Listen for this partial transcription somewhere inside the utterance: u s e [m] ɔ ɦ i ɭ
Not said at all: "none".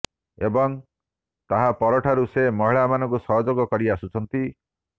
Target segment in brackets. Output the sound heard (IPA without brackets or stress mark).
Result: m